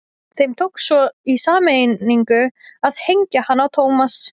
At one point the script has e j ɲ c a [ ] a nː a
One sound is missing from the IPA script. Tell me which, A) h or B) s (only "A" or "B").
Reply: A